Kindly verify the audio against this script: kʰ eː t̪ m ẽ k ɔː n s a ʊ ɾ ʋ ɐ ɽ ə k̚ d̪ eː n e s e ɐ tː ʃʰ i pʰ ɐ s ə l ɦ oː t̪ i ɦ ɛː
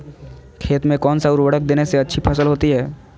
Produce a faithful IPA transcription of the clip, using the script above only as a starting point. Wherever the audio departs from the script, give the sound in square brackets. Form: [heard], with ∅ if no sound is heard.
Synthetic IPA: kʰ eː t̪ m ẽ k ɔː n s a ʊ ɾ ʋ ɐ ɽ ə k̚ d̪ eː n e s e ɐ tː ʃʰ i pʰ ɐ s ə l ɦ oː t̪ i ɦ ɛː